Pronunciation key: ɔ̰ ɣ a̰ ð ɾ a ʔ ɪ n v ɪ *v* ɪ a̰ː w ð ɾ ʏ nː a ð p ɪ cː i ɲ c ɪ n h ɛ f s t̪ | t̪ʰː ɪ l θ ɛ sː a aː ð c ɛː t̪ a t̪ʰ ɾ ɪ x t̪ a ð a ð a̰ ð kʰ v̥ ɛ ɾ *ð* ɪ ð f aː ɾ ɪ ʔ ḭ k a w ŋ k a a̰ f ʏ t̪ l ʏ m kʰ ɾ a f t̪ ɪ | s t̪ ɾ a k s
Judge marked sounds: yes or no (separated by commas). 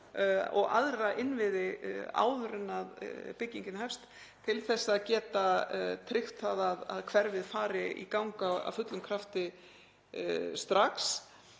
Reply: no, no